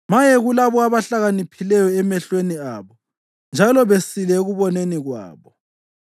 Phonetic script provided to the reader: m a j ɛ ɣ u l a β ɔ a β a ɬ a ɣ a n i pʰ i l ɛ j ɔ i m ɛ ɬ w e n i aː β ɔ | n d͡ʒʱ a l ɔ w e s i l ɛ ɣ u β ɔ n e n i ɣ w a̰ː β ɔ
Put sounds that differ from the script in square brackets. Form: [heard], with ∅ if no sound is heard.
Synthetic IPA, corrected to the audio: m a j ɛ ɣ u l a β ɔ a β a ɬ a ɣ a n i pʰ i l ɛ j ɔ [ɛ] m ɛ ɬ w e n i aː β ɔ | n d͡ʒʱ a l ɔ [β] e s i l ɛ ɣ u β ɔ n e n i ɣ w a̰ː β ɔ